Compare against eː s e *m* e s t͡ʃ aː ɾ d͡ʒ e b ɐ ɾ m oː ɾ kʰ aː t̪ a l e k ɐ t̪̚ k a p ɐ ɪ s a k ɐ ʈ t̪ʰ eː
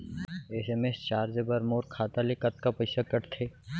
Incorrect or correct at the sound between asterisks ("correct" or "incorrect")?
correct